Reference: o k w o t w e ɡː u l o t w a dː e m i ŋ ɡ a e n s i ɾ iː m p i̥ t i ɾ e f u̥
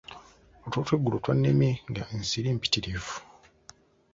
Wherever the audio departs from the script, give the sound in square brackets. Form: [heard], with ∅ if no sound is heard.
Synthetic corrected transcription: o [t] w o t w e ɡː u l o t w a [nː] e m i ŋ ɡ a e n s i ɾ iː m p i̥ t i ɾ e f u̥